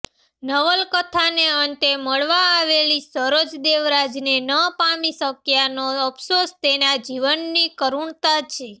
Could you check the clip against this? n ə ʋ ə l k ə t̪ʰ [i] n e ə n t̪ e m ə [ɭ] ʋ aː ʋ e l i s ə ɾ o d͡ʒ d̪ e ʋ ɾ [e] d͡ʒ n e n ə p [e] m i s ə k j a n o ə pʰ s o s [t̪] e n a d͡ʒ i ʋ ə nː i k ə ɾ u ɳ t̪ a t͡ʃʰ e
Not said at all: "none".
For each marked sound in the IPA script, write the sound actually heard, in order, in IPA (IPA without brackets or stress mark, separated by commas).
a, ɭ, a, a, t̪